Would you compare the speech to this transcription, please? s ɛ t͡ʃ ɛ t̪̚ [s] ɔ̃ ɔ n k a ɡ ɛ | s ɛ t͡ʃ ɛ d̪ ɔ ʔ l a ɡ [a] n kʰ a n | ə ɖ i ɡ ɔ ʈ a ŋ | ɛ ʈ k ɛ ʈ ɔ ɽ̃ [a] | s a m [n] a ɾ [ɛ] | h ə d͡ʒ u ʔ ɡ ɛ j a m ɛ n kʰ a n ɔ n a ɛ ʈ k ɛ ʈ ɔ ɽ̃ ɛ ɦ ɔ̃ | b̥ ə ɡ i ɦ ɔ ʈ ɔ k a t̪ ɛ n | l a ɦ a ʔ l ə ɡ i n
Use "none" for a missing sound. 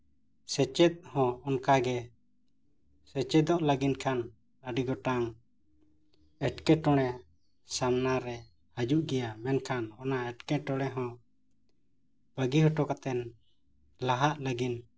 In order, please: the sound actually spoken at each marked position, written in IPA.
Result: h, i, ɛ, n, ɛ

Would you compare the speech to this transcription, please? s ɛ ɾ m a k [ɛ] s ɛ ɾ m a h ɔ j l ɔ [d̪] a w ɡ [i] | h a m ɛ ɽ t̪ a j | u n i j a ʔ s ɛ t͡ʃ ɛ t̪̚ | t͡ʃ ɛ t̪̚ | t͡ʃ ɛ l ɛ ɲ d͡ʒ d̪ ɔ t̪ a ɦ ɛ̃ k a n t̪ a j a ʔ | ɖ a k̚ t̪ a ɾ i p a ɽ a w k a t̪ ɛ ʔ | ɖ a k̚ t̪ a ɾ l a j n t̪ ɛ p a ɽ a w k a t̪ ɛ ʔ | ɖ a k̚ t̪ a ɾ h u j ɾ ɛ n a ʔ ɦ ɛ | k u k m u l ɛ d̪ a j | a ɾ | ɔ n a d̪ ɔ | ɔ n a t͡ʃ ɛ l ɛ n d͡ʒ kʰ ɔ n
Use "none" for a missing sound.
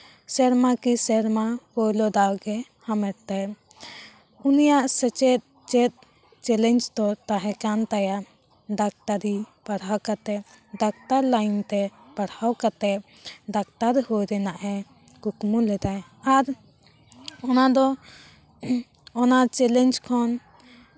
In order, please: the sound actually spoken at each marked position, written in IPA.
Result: i, d̪, ɛ

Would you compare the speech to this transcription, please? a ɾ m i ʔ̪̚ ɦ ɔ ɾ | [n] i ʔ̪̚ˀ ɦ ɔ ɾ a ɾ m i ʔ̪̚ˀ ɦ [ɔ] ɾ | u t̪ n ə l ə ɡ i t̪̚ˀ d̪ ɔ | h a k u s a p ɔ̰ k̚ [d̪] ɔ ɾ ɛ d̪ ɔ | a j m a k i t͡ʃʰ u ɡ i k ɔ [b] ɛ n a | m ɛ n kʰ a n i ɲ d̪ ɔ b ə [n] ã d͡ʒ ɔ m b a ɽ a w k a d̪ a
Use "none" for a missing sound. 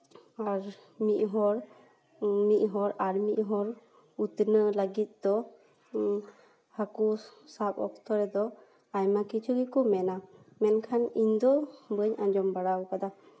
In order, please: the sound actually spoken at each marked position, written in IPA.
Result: m, ɔ, t̪, m, ɲ

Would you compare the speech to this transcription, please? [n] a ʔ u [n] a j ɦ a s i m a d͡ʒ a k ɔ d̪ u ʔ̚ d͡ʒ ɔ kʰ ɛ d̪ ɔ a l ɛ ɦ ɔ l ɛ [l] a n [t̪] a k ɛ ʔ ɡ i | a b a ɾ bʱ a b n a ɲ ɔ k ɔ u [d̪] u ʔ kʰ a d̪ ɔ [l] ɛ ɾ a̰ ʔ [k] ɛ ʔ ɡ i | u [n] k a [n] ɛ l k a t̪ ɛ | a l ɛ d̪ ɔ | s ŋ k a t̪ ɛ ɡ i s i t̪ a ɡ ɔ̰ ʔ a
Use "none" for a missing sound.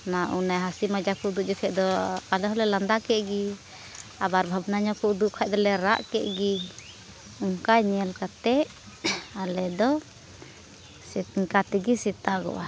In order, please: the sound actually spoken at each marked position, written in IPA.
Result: n, n, l, d̪, d̪, l, k, ŋ, ɲ

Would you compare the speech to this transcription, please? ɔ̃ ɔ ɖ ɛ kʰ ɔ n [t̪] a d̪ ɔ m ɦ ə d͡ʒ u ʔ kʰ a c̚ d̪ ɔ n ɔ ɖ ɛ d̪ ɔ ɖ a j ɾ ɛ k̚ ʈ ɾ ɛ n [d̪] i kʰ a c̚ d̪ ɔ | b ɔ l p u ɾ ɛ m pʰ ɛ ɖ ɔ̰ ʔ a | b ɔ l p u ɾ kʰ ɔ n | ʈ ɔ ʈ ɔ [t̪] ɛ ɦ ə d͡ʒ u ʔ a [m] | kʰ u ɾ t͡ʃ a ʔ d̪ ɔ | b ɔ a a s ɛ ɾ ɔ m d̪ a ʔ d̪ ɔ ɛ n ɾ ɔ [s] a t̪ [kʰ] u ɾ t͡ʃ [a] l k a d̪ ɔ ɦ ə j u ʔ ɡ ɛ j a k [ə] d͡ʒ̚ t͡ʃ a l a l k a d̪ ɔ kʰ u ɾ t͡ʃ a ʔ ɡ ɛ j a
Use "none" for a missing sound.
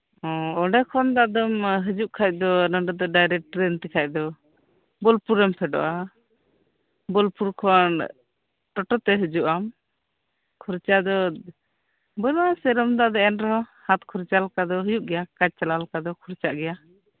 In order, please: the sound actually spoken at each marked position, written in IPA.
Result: d̪, t̪, t̪, m, h, kʰ, a, a

